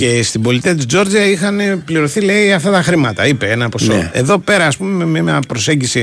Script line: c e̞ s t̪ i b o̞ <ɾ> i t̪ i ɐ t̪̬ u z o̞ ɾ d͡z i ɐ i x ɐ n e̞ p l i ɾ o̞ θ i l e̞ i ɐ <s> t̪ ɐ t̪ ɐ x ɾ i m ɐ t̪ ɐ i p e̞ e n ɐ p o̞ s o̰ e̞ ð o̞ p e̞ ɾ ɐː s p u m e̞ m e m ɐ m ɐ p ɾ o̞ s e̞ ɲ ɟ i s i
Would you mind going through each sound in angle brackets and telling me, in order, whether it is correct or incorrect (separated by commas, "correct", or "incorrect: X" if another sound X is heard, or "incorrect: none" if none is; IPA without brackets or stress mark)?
incorrect: l, incorrect: f